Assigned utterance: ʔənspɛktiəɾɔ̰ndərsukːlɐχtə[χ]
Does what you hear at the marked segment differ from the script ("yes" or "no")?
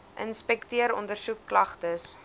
yes